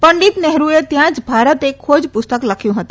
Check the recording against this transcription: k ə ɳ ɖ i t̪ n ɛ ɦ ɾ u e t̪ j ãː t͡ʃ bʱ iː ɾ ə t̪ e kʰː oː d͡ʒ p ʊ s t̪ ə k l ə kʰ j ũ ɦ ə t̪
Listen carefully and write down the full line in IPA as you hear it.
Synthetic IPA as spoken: p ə ɳ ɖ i t̪ n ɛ ɦ ɾ u e t̪ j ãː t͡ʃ bʱ aː ɾ ə t̪ e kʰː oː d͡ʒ p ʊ s t̪ ə k l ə kʰ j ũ ɦ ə t̪

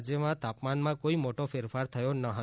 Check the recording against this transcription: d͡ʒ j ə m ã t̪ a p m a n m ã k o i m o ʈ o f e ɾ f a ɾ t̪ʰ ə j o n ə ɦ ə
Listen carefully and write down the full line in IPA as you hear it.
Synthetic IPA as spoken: d͡ʒ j ə m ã t̪ a p m a n m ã k o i m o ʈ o f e ɾ f a ɾ t̪ʰ ə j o n ə ɦ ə

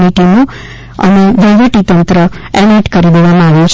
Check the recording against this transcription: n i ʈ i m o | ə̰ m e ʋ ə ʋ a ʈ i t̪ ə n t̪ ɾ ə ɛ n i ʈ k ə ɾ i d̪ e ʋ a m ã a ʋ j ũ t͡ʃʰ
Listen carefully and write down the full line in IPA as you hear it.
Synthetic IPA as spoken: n i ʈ i m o | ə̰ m e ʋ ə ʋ ə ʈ i t̪ ə n t̪ ɾ ə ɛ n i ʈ k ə ɾ i d̪ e ʋ a m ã a ʋ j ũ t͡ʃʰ

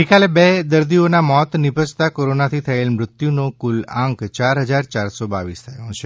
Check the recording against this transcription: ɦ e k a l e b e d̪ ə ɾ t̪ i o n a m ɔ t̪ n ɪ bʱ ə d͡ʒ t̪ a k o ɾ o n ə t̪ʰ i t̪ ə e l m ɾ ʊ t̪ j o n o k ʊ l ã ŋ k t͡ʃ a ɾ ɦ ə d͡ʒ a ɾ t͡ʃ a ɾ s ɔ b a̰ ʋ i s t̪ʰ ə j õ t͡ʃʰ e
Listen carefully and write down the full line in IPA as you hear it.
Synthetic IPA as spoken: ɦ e k a l e b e d̪ ə ɾ d̪ i o n a m ɔ t̪ n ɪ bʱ ə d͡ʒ t̪ a k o ɾ o n a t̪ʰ i t̪ʰ ə e l m ɾ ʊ t̪ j u n o k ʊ l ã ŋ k t͡ʃ a ɾ ɦ ə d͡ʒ a ɾ t͡ʃ a ɾ s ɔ b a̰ ʋ i s t̪ʰ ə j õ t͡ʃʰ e

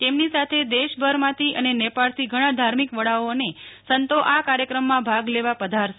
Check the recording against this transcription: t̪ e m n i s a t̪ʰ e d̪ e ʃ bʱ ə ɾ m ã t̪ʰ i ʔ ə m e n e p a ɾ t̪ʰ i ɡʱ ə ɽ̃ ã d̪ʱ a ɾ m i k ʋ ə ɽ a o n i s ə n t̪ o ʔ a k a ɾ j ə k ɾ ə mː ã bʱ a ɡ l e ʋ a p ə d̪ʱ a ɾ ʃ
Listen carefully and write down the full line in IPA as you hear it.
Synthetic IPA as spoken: t̪ e m n i s a t̪ʰ e d̪ e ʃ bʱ ə ɾ m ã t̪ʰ i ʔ ə n e n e p a ɭ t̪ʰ i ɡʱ ə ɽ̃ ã d̪ʱ a ɾ m i k ʋ ə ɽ a o n e s ə n t̪ o ʔ a k a ɾ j ə k ɾ ə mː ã bʱ a ɡ l e ʋ a p ə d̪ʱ a ɾ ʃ

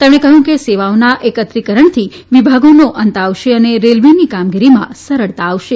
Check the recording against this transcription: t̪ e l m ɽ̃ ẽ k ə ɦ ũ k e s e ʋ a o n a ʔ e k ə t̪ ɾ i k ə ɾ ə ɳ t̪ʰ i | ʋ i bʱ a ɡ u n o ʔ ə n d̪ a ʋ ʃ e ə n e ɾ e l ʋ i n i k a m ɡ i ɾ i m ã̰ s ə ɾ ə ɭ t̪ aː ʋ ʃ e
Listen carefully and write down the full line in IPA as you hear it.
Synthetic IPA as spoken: t̪ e m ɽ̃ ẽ k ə ɦ ũ k e s e ʋ a o n a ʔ e k ə t̪ ɾ i k ə ɾ ə ɳ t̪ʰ i | ʋ i bʱ a ɡ o n o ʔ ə n t̪ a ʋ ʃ e ə n e ɾ e l ʋ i n i k a m ɡ i ɾ i m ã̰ s ə ɾ ə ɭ t̪ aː ʋ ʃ e

